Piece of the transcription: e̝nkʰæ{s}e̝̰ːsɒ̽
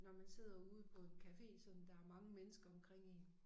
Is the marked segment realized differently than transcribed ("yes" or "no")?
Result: yes